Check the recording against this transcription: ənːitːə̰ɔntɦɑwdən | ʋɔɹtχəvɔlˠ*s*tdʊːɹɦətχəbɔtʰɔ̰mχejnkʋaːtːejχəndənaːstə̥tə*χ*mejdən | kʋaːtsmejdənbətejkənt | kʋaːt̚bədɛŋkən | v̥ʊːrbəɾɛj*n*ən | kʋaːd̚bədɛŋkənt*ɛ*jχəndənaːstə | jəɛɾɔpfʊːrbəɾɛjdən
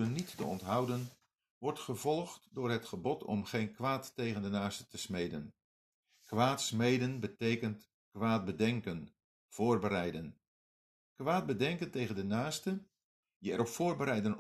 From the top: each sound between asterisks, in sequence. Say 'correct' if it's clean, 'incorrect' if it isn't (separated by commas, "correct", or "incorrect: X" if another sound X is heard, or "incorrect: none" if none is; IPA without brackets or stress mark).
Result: incorrect: χ, incorrect: s, incorrect: d, incorrect: e